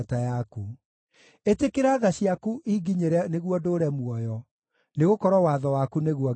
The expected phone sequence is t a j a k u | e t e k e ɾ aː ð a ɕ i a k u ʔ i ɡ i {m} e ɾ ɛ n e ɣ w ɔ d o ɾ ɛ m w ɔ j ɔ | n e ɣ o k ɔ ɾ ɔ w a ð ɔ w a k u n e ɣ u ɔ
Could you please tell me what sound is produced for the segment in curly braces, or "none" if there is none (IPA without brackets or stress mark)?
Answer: ɲ